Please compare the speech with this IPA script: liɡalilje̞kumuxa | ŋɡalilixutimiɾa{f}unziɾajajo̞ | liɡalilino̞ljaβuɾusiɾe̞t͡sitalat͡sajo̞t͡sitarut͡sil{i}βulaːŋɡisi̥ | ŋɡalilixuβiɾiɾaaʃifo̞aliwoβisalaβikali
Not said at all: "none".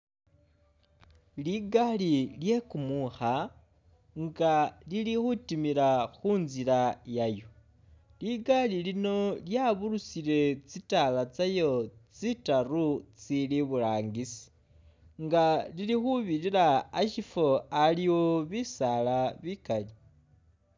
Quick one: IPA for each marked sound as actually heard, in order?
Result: x, i

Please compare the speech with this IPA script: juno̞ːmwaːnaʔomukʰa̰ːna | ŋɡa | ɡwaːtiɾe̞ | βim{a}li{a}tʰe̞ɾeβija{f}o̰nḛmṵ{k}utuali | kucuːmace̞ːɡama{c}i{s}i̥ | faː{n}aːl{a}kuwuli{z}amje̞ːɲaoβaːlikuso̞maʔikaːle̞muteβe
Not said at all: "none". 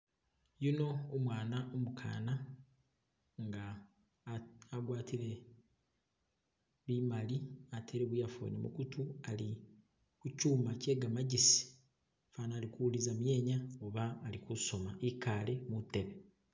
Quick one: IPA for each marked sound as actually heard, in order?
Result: a, a, f, k, ɟ, s, n, i, z

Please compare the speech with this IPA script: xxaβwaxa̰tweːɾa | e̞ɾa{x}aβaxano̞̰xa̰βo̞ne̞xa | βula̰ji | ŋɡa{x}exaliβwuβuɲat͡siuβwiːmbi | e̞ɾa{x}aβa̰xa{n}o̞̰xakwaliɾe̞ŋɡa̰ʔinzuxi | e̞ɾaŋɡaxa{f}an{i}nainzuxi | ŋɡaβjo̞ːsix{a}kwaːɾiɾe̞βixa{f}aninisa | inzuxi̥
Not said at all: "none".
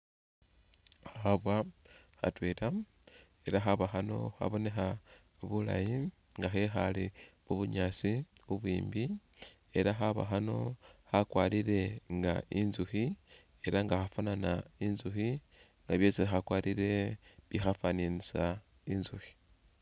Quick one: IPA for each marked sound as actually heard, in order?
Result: x, x, x, n, f, a, a, f

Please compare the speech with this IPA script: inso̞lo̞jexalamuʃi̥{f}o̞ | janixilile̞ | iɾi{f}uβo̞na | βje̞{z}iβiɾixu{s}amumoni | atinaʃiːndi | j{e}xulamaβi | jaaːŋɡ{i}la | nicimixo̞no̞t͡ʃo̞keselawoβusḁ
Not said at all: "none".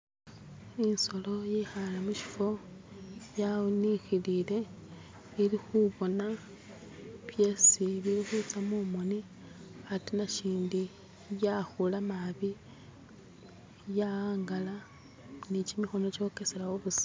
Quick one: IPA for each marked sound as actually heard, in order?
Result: f, x, s, t͡s, a, a

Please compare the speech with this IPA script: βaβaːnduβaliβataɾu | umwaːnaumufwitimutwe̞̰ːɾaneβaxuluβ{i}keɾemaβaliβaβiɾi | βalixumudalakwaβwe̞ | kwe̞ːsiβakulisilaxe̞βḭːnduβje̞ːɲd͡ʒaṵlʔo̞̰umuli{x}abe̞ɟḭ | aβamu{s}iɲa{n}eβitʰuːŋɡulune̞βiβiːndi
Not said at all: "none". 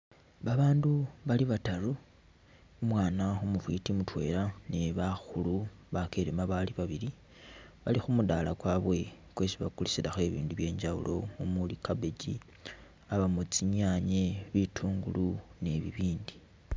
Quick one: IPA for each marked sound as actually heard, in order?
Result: a, k, t͡s, ɲ

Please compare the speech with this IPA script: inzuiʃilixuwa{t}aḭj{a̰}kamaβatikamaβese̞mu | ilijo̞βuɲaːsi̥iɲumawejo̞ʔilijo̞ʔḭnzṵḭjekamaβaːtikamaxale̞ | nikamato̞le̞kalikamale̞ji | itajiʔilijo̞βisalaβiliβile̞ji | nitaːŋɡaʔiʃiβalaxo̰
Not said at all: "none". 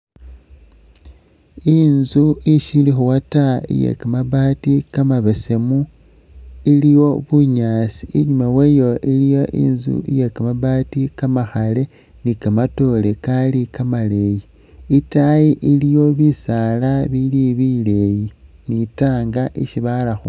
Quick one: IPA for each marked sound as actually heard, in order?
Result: t, ḛ

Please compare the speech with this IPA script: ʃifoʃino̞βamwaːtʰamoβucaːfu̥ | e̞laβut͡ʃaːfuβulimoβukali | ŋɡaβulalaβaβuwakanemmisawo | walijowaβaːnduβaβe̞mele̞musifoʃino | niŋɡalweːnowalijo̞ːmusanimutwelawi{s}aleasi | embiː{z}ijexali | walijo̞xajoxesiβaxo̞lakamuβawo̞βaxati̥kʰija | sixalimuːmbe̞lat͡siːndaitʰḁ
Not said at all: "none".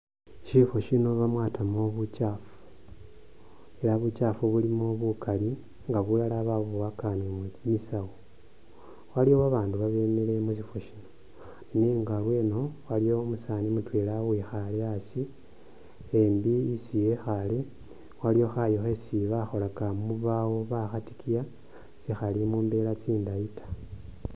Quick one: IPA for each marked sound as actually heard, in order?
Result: x, s

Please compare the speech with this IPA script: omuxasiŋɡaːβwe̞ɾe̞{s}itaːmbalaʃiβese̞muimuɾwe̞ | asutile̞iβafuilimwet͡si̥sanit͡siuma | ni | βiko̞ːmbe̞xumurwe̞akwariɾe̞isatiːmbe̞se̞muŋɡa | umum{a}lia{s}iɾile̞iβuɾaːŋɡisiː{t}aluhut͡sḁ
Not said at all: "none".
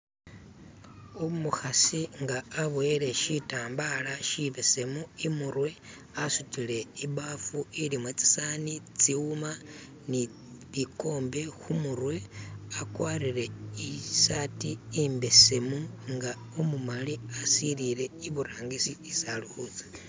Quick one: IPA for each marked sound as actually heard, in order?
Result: ʃ, a, s, s

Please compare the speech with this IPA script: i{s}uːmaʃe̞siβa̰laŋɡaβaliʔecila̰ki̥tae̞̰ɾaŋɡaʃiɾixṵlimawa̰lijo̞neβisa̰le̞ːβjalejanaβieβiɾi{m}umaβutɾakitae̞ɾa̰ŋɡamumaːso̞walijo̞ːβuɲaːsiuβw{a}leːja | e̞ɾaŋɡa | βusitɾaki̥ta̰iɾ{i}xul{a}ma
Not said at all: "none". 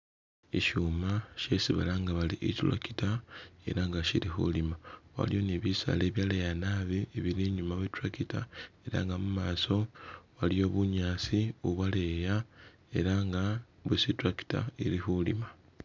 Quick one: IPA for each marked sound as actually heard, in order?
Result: ʃ, ɲ, a, i, i

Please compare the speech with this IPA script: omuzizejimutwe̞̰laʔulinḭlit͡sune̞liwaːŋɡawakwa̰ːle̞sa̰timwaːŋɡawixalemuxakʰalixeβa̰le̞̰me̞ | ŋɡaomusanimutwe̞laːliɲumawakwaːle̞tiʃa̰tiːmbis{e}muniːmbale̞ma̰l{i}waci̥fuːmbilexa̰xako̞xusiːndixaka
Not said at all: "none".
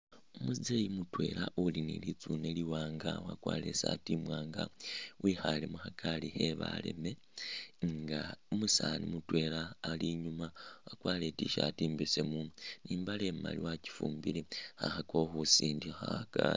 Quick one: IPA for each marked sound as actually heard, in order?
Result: e, i

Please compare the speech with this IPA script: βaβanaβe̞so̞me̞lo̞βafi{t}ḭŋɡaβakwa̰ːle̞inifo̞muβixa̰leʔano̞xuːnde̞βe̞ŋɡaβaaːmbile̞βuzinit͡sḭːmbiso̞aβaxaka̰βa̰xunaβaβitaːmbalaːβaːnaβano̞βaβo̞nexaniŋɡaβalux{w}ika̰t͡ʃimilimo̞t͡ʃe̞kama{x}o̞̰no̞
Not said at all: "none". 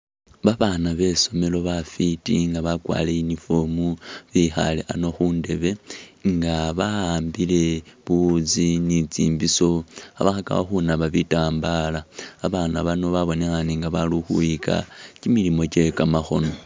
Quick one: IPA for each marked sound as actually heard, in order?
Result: t, u, x

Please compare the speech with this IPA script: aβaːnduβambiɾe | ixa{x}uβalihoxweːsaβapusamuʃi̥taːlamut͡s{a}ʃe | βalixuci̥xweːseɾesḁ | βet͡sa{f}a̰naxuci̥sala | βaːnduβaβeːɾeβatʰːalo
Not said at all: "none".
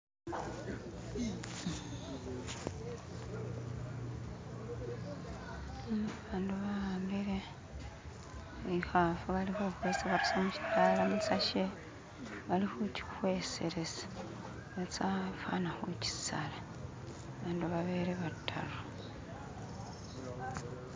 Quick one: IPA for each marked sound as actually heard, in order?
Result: f, a, f

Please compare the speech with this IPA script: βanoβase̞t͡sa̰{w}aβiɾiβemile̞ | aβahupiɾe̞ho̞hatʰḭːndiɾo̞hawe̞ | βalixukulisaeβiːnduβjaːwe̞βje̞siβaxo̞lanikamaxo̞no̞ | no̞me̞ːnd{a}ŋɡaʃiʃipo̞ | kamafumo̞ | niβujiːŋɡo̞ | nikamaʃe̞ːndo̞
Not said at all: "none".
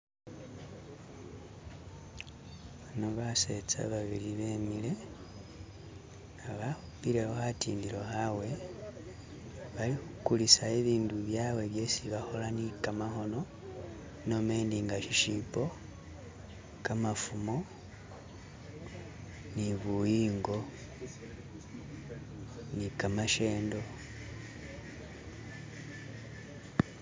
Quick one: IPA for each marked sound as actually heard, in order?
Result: β, i

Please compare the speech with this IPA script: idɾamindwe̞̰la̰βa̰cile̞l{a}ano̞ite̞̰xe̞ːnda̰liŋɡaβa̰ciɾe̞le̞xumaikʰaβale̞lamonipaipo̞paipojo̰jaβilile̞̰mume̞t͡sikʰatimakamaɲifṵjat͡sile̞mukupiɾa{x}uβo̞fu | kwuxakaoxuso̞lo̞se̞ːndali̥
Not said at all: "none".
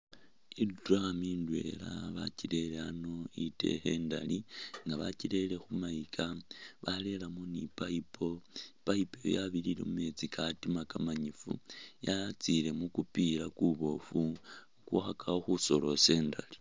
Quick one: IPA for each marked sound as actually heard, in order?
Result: e, k

